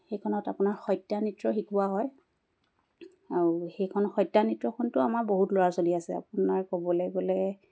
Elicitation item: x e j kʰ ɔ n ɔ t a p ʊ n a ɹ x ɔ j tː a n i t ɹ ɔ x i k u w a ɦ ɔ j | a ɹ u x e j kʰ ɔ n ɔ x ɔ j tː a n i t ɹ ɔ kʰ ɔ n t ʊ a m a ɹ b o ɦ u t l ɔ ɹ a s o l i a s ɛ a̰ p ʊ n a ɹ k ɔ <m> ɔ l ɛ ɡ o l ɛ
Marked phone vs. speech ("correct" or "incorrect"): incorrect